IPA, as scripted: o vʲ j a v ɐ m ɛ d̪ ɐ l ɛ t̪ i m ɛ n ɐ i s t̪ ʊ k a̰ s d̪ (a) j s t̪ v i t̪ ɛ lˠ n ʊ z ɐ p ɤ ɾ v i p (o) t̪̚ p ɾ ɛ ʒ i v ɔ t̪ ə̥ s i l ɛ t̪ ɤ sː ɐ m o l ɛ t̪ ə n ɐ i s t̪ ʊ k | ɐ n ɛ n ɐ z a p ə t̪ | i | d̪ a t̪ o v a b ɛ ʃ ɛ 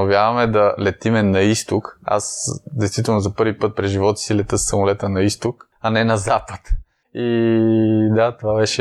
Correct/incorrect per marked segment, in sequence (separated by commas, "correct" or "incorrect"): incorrect, incorrect